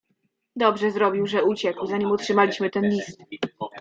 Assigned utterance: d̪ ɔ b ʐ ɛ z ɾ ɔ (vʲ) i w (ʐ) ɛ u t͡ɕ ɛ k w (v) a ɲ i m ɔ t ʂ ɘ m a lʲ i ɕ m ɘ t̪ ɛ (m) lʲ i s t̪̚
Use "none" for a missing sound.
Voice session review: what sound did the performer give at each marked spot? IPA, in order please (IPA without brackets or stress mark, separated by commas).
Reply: bʲ, ʐ, z, n